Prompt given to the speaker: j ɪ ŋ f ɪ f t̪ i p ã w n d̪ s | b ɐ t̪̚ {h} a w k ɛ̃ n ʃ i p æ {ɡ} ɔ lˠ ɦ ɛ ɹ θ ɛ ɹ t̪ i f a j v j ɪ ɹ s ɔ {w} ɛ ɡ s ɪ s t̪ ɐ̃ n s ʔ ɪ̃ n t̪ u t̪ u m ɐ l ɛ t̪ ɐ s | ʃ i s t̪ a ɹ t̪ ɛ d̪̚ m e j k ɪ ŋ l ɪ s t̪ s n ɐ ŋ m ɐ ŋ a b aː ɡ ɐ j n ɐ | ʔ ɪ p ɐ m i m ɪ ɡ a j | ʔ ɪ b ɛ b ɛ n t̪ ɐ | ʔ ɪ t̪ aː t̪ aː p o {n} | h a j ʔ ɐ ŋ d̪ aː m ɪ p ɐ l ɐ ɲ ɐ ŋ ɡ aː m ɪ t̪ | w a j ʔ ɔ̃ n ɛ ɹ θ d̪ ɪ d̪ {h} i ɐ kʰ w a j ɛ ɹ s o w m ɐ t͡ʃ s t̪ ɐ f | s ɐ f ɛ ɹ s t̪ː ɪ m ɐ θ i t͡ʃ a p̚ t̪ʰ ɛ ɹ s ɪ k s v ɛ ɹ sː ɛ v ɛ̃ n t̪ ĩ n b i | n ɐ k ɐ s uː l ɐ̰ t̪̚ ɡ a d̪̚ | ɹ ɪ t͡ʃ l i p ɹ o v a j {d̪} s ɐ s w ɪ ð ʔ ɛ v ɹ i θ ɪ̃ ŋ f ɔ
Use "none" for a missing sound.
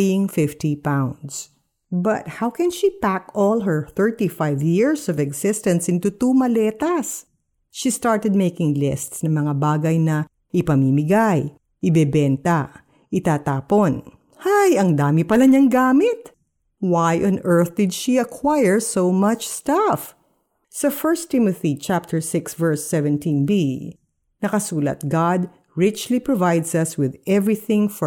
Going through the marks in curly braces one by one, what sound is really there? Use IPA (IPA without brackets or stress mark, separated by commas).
h, k, v, n, ʃ, d̪